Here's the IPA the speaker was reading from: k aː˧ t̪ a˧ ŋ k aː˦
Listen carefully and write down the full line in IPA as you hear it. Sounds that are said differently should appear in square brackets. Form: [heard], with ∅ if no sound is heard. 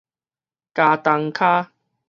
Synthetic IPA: k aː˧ t̪ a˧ ŋ [kʰ] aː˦